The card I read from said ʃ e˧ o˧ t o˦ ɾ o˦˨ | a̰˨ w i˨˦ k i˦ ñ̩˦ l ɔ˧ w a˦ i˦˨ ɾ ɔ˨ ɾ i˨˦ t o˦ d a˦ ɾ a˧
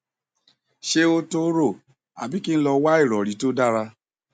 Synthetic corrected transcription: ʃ e˧ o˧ t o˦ ɾ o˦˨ | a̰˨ b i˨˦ k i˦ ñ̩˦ l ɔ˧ w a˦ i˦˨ ɾ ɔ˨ ɾ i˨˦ t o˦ d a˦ ɾ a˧